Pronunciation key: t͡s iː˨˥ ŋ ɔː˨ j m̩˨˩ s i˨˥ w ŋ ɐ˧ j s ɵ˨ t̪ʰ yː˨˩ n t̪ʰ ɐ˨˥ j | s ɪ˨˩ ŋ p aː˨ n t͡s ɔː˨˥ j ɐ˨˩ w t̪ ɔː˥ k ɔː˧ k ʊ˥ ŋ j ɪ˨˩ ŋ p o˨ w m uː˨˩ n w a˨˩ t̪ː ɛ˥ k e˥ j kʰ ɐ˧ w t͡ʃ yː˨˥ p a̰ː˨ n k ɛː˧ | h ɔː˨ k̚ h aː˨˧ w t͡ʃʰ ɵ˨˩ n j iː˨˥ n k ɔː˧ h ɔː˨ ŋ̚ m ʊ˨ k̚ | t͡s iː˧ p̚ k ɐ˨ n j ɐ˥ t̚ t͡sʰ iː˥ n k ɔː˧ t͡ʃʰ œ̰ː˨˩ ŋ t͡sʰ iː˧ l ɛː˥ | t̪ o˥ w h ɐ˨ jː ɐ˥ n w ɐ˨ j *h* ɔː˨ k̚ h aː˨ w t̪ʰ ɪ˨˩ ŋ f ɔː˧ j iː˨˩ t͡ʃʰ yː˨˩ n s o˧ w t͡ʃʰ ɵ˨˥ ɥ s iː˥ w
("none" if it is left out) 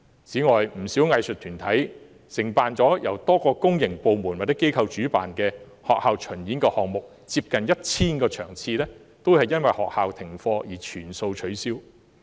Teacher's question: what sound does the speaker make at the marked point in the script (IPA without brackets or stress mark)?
h